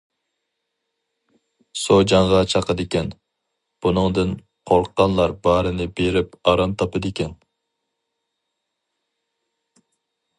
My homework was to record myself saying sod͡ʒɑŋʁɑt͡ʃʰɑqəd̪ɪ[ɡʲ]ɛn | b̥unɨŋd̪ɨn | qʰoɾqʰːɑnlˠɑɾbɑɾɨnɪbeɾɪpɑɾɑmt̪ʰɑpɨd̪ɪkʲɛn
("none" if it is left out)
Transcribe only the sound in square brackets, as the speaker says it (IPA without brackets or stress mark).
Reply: kʲ